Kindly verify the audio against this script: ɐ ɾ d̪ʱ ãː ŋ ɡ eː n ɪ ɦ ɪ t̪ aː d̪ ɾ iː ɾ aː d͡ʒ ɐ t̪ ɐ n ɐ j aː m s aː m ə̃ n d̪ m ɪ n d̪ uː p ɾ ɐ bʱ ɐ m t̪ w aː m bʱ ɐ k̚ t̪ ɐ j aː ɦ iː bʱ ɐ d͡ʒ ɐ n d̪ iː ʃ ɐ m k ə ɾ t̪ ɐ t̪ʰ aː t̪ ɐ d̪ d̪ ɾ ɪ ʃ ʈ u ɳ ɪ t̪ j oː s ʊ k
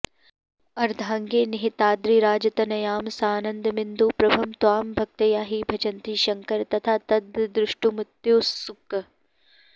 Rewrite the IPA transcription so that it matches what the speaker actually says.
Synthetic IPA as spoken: ɐ ɾ d̪ʱ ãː ŋ ɡ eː n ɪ ɦ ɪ t̪ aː d̪ ɾ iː ɾ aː d͡ʒ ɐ t̪ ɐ n ɐ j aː m s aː n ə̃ n d̪ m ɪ n d̪ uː p ɾ ɐ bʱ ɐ m t̪ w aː m bʱ ɐ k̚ t̪ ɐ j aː ɦ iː bʱ ɐ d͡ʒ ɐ n t̪ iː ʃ ɐ ŋ k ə ɾ t̪ ɐ t̪ʰ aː t̪ ɐ d̪ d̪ ɾ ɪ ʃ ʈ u m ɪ t̪ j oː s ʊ k